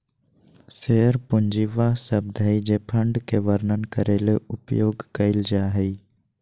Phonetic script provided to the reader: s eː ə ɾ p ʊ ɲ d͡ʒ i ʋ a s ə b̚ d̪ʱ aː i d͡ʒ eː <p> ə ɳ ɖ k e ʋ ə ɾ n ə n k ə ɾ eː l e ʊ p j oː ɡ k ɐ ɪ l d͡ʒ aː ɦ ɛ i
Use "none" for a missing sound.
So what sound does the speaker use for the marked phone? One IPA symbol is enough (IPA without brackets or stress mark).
pʰ